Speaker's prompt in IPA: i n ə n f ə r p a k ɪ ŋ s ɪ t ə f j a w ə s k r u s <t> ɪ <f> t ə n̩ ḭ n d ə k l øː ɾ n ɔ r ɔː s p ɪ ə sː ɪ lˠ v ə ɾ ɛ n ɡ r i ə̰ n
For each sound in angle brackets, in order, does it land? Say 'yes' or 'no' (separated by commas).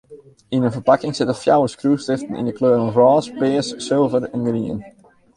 yes, yes